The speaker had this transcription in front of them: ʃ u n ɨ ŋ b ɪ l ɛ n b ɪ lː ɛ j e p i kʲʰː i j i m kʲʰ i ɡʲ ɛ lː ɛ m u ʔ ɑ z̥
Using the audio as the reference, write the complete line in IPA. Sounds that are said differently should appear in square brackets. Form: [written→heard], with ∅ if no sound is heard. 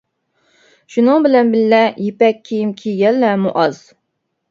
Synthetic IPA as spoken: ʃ u n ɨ ŋ b ɪ l ɛ n b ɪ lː ɛ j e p [i→ɛ] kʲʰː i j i m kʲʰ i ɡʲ ɛ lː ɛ m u ʔ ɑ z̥